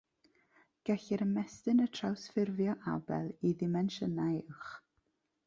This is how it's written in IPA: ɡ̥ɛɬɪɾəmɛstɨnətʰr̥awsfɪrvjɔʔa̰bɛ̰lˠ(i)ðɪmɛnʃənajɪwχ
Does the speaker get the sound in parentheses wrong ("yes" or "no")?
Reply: no